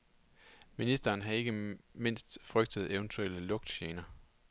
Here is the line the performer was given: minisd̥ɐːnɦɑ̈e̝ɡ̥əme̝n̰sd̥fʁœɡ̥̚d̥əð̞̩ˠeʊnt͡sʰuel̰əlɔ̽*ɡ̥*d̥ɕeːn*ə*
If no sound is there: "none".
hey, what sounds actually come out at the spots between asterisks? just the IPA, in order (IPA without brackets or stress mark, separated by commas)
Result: ɡ̥, ɐ